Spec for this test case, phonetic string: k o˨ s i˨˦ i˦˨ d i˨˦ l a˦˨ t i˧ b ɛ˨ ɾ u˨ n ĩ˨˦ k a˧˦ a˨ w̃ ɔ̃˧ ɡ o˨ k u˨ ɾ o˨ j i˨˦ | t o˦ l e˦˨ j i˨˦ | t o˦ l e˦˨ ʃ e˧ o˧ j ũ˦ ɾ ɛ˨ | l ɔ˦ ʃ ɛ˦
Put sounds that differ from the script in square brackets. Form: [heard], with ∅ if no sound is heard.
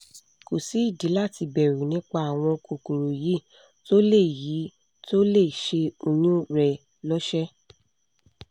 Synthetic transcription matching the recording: k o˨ s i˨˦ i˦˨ d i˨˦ l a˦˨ t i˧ b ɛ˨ ɾ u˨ n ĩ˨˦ [k͡p] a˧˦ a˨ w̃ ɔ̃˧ [k] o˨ k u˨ ɾ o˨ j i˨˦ | t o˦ l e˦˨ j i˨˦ | t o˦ l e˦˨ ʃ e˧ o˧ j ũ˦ ɾ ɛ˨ | l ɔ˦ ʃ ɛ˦